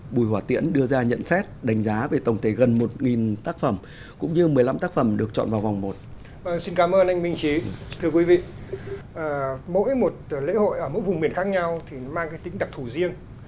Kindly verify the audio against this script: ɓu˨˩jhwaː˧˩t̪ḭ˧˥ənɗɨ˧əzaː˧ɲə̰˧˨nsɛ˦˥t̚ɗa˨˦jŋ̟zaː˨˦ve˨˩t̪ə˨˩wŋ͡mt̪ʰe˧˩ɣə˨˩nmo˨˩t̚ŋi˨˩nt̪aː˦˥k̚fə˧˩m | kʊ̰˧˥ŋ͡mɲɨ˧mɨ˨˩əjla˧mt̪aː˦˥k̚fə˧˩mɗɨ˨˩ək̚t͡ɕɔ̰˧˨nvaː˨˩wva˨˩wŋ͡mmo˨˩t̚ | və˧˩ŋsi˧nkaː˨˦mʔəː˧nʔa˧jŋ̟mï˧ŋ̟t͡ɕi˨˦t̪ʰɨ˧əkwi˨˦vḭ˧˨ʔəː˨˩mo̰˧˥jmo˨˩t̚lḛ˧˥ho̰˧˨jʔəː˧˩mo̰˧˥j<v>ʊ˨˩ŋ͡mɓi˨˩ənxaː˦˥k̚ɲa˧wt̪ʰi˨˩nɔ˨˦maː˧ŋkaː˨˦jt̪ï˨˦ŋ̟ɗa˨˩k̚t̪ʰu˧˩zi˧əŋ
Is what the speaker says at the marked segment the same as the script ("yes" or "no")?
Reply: yes